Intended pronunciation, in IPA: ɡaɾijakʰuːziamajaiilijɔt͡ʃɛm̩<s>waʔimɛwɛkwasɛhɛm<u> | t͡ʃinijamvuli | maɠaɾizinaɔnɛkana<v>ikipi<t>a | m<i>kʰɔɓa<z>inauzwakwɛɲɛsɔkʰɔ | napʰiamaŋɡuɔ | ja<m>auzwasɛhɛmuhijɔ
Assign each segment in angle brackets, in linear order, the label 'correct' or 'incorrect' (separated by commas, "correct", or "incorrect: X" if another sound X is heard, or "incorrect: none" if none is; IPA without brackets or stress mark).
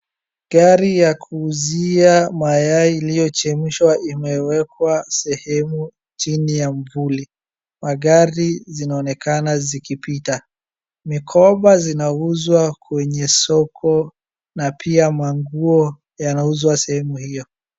incorrect: ʃ, correct, incorrect: z, correct, correct, correct, incorrect: n